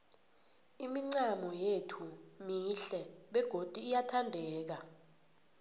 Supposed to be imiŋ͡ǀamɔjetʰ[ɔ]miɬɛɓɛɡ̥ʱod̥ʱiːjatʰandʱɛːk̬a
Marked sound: incorrect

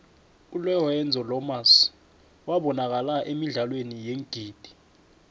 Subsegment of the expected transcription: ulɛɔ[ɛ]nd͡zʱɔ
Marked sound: correct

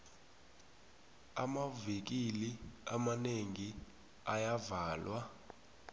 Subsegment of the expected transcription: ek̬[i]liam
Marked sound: correct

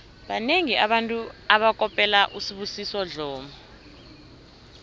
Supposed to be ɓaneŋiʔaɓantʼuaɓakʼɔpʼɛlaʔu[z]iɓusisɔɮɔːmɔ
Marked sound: incorrect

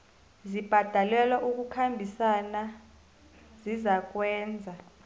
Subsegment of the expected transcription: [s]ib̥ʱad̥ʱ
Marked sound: incorrect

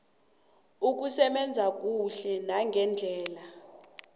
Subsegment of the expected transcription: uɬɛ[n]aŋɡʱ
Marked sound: correct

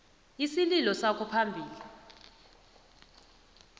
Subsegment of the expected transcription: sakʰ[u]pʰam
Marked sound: incorrect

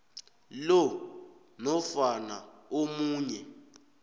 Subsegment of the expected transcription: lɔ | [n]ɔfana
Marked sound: correct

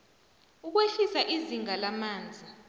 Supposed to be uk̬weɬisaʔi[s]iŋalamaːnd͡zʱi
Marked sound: incorrect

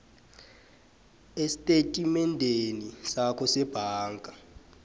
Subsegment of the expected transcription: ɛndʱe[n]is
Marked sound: correct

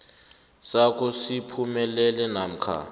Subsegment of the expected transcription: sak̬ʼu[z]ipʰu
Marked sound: incorrect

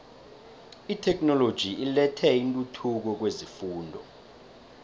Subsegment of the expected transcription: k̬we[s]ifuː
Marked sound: incorrect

